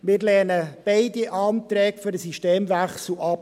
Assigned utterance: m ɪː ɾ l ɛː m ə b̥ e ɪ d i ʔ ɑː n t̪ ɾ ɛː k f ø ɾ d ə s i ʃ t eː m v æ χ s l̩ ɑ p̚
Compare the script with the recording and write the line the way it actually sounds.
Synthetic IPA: m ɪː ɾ l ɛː n ə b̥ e ɪ d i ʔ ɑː n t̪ ɾ ɛː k f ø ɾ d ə s i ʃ t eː m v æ χ s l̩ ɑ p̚

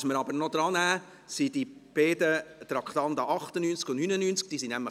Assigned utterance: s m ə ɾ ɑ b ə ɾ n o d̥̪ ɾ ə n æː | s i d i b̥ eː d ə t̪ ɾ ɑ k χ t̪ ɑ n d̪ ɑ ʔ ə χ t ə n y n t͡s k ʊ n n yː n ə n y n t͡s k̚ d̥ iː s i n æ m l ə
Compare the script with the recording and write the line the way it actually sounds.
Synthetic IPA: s m ə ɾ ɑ b ə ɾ n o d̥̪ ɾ ɑ n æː | s i d i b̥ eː d ə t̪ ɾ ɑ k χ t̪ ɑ n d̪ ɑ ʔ ɑ χ t ə n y n t͡s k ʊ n n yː n ə n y n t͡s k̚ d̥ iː s i n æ m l ə

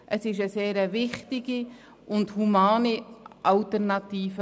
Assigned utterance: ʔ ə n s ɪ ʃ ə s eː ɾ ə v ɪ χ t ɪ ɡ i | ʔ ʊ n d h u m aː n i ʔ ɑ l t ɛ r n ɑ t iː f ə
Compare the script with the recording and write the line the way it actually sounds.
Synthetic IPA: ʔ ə s ɪ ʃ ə s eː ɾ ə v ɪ χ t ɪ ɡ i | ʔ ʊ n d h u m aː n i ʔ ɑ l t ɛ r n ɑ t iː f ə

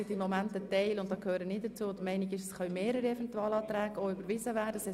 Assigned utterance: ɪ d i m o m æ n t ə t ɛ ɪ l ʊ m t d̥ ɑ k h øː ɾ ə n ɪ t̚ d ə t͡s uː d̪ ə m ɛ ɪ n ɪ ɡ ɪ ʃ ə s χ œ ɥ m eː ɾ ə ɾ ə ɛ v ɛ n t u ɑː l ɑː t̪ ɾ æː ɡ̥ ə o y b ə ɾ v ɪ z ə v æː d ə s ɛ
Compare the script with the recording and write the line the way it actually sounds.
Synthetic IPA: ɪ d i m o m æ n t ə t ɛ ɪ l ʊ n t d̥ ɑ k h øː ɾ ə n ɪ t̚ d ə t͡s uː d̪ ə m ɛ ɪ n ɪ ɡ ɪ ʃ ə s χ œ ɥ m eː ɾ ə ɾ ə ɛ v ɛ n t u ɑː l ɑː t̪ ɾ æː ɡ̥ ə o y b ə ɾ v ɪ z ə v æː d ə s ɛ

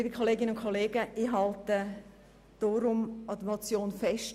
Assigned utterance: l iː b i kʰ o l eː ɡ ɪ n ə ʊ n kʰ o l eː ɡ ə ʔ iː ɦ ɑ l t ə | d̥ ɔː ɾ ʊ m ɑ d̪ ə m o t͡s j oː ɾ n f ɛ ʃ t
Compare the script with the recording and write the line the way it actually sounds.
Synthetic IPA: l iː b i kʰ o l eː ɡ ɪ n ə ʊ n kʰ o l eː ɡ ə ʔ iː ɦ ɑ l t ə | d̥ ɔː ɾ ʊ m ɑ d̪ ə m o t͡s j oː n f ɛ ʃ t

